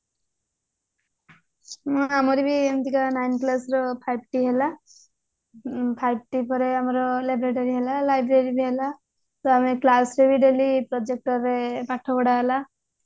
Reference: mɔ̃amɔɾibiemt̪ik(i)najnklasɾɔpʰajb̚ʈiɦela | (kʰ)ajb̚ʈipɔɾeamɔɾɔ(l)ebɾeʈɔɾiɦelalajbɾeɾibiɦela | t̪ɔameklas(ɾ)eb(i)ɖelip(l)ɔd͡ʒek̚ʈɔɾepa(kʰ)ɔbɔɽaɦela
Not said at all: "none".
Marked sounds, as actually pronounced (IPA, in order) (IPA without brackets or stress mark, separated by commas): a, pʰ, l, ɾ, i, ɾ, ʈʰ